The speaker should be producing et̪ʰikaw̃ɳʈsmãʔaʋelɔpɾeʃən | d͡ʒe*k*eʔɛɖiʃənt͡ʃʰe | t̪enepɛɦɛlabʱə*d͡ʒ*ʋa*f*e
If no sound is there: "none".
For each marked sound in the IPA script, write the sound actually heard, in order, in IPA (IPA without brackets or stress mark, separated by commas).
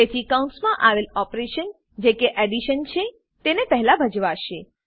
k, d͡ʒ, ʃ